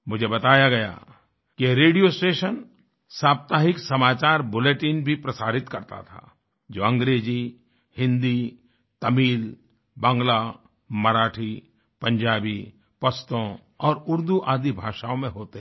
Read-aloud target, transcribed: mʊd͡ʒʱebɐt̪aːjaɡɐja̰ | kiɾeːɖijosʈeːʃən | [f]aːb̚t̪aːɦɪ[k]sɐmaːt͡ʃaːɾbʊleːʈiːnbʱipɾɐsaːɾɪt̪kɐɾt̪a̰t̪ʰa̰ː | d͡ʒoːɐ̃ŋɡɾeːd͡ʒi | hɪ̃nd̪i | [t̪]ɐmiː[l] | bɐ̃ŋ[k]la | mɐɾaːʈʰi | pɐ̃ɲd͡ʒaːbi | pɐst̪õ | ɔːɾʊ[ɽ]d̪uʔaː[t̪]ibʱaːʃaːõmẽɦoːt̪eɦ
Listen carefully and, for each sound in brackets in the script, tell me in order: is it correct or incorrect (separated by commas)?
incorrect, correct, correct, correct, incorrect, incorrect, incorrect